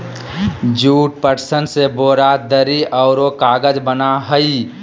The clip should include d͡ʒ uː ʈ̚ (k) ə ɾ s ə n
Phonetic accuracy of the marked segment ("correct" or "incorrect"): incorrect